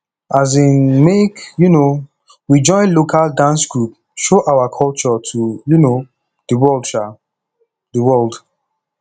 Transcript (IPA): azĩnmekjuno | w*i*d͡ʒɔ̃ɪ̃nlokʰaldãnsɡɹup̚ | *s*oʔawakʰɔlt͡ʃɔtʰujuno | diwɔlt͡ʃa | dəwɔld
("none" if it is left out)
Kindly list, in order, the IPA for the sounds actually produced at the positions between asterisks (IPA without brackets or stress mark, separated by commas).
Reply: i, ʃ